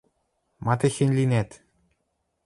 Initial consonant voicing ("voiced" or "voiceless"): voiced